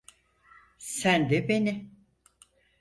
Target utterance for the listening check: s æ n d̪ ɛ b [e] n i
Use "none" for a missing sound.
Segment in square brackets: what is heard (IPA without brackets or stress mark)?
e